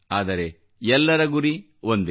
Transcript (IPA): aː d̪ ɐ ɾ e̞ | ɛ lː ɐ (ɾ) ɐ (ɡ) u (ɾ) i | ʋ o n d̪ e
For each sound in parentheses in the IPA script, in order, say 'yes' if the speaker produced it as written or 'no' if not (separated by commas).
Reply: yes, yes, yes